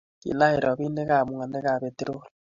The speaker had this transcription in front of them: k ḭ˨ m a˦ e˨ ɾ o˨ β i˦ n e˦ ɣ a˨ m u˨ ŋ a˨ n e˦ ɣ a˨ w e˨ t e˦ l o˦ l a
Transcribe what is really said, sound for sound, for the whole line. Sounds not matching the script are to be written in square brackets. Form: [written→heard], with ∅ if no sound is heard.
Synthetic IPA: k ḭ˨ [m→n] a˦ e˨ ɾ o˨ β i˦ n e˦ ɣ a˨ m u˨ ŋ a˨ n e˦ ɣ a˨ [w→β] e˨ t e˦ [l→ɾ] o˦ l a

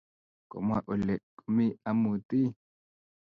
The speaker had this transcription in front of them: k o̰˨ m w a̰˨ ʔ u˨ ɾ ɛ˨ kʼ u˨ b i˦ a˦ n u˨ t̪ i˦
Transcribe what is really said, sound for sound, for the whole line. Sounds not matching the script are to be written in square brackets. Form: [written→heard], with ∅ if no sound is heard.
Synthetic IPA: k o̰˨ m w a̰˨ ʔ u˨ [ɾ→l] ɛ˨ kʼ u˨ [b→m] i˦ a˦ [n→m] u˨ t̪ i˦

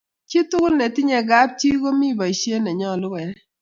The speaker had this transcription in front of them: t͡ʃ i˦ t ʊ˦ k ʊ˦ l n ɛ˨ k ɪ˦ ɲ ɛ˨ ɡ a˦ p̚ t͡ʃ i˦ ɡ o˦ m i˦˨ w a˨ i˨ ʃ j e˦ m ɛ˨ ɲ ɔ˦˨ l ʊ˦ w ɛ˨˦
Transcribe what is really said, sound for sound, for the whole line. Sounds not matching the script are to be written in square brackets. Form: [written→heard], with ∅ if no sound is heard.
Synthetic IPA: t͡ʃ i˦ t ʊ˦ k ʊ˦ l n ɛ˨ [k→t] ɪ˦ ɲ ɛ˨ ɡ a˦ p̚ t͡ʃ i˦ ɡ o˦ m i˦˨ [w→b] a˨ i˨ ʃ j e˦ [m→n] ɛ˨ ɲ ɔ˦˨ l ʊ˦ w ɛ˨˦

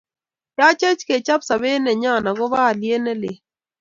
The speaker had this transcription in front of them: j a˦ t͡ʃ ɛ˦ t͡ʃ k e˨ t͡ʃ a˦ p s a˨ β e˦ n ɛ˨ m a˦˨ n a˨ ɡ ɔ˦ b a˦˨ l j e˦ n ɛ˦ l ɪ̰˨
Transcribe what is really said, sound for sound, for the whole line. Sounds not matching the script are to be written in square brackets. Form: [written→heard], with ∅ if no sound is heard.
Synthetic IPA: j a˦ t͡ʃ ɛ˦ t͡ʃ k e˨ t͡ʃ a˦ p s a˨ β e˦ n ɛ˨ [m→ɲ] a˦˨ n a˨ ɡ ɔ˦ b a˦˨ l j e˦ n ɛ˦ l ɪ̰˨

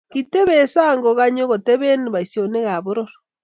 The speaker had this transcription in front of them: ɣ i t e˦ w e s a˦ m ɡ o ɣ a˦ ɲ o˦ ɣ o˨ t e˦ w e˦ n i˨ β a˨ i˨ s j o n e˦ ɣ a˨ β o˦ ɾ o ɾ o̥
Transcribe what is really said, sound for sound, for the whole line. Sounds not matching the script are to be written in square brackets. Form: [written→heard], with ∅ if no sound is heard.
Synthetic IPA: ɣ i t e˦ [w→β] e s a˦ [m→ŋ] ɡ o ɣ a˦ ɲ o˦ ɣ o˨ t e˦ [w→β] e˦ n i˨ β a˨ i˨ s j o n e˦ ɣ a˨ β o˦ ɾ o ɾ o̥

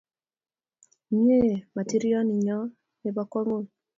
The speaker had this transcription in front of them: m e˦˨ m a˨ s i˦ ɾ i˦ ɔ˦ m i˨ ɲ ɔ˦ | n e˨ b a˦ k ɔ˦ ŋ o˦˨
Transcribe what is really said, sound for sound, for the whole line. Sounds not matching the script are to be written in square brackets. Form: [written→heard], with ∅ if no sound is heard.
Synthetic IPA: [m→ɲ] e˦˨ m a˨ [s→t] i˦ ɾ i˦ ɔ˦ [m→n] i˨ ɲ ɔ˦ | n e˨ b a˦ k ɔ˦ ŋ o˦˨

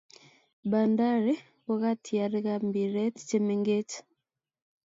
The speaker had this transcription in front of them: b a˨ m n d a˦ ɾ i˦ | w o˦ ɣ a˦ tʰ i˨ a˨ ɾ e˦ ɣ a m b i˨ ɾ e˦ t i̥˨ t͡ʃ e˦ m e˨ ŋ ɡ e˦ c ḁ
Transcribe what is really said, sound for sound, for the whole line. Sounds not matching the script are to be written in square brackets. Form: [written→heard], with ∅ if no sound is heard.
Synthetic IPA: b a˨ [m→∅] n d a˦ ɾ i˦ | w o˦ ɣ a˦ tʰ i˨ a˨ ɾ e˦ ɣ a m b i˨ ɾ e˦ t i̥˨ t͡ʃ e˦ m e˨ ŋ ɡ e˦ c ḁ

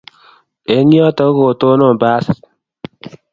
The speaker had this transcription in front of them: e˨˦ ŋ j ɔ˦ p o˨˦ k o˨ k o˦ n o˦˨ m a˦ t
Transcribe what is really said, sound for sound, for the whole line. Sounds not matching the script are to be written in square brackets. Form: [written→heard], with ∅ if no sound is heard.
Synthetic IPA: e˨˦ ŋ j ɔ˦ [p→t] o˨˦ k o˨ [k→t] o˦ n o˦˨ [m→b] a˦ [t→s]

